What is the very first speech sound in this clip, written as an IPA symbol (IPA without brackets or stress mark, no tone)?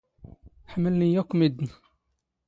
ħ